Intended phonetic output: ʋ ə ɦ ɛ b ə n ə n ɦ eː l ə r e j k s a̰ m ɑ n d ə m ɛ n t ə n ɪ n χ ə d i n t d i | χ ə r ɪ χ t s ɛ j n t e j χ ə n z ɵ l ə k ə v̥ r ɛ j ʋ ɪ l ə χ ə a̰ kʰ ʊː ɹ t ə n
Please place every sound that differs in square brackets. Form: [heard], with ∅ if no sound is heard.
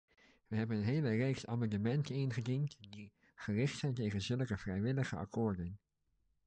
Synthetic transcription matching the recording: ʋ ə ɦ ɛ b ə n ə n ɦ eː l ə r e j k s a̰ m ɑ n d ə m ɛ n t ə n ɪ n χ ə d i n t d i | χ ə r ɪ χ t s ɛ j n t e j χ ə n z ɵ l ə k ə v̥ r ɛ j ʋ ɪ l ə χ ə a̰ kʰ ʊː ɹ [d] ə n